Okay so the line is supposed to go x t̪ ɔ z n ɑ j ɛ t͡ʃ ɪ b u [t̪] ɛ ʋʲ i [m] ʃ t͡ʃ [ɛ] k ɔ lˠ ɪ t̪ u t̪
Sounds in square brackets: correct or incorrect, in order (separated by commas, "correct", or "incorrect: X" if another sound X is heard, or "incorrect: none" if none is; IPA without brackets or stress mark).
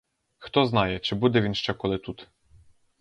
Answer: incorrect: d̪, incorrect: n, correct